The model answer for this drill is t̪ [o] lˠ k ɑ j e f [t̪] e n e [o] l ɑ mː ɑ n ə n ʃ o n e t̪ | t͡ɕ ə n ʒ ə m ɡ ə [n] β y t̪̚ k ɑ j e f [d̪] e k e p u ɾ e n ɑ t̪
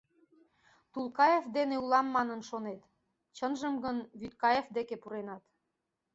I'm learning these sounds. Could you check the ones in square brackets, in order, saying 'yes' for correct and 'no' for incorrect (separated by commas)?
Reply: no, no, no, yes, yes